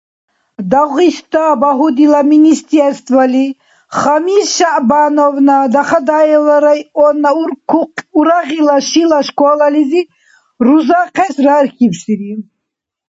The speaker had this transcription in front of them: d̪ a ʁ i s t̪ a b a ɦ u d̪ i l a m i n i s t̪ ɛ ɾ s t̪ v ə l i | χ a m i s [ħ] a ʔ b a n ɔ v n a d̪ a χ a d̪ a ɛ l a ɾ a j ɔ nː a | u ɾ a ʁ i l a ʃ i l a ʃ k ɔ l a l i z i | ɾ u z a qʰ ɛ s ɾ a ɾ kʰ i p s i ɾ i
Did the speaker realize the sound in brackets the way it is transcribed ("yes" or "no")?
no